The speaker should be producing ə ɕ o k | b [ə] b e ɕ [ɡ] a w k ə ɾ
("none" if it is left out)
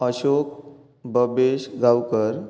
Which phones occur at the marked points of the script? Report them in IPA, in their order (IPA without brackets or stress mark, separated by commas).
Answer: ə, ɡ